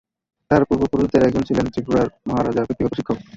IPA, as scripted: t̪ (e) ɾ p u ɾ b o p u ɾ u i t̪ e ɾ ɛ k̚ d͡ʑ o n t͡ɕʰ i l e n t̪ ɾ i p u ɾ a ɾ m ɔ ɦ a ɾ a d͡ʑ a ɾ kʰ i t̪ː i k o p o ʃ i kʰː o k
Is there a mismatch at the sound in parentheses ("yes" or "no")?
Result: yes